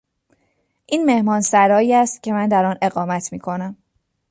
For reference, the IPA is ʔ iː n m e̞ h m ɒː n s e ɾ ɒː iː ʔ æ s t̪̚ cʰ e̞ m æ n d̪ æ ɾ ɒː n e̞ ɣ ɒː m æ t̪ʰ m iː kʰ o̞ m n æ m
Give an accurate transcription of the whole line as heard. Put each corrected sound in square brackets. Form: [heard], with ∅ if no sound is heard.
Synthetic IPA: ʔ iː n m e̞ h m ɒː n s [æ] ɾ ɒː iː [∅] æ s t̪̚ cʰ e̞ m æ n d̪ æ ɾ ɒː n e̞ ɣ ɒː m æ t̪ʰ m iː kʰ o̞ [∅] n æ m